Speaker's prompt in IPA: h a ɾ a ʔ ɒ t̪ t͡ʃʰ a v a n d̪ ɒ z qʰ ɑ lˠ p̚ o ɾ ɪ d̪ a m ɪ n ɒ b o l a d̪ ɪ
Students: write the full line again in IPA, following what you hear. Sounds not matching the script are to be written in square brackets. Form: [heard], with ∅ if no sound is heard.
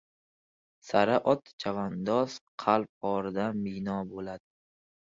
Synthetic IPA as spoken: [s] a ɾ a ʔ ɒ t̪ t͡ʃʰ a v a n d̪ ɒ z qʰ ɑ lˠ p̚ [ɒ] ɾ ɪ d̪ a m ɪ n ɒ b o l a d̪ ɪ